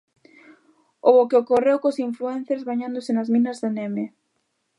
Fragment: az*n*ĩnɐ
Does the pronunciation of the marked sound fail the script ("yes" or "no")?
yes